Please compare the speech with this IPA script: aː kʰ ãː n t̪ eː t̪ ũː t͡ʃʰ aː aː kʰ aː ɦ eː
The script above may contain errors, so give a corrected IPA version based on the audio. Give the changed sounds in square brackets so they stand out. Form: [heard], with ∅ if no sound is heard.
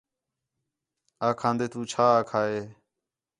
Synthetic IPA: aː kʰ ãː n [d̪] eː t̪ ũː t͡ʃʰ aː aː kʰ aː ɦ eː